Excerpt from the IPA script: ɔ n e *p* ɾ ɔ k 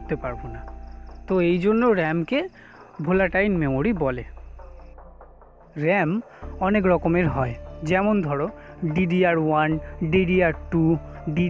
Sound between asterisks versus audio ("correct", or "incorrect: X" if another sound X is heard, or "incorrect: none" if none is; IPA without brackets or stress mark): incorrect: k